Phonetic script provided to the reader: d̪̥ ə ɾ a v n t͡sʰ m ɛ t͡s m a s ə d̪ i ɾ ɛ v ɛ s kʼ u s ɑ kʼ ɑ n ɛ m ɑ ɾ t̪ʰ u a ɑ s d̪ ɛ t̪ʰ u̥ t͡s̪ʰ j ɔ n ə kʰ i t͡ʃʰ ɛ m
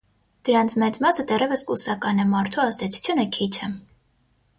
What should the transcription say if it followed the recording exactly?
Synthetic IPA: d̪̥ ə ɾ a n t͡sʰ m ɛ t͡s m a s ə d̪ ɛ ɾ ɛ v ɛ s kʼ u s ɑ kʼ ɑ n ɛ m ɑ ɾ t̪ʰ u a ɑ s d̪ ɛ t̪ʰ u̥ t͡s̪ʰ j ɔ n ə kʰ i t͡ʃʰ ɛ m